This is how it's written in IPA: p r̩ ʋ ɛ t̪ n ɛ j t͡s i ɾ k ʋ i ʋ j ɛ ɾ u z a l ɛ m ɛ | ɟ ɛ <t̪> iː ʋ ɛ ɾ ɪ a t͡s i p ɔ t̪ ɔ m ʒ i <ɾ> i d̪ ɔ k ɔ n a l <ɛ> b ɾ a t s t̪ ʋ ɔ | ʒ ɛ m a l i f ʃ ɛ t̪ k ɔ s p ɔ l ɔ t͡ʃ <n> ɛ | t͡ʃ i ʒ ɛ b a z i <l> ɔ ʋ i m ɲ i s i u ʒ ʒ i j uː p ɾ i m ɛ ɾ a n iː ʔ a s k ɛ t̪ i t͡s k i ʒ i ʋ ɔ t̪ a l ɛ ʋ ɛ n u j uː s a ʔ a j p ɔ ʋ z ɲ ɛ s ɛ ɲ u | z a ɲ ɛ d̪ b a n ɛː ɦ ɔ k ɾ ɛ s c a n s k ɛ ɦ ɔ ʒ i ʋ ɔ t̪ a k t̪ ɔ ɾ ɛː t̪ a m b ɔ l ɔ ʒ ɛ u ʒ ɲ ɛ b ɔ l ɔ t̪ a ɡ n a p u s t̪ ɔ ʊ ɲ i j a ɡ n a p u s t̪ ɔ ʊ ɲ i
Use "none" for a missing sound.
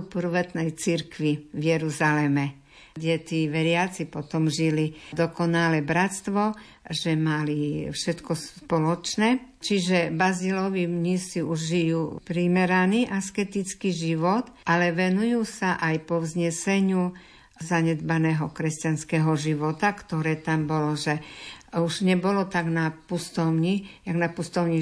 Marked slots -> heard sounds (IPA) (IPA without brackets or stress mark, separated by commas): t̪, l, ɛ, n, l